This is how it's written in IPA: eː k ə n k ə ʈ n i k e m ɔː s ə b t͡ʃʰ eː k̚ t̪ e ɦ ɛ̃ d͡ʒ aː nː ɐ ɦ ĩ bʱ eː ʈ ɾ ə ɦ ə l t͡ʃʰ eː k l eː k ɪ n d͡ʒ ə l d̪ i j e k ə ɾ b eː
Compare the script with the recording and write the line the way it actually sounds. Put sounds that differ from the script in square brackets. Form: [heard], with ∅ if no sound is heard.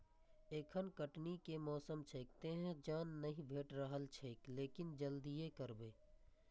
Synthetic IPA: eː [kʰ] ə n k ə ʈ n i k e m ɔː s ə [m] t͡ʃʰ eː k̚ t̪ e ɦ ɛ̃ d͡ʒ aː nː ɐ ɦ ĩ bʱ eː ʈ ɾ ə ɦ ə l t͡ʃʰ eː k l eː k ɪ n d͡ʒ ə l d̪ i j e k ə ɾ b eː